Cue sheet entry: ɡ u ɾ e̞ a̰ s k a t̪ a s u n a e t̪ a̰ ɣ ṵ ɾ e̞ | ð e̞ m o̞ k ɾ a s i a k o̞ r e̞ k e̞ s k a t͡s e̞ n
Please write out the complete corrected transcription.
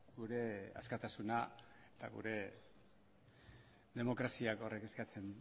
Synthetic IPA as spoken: ɡ u ɾ e̞ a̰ s k a t̪ a s u n a e t̪ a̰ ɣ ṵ ɾ e̞ | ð e̞ m o̞ k ɾ a s i a k o̞ r e̞ k e̞ s k a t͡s e̞ n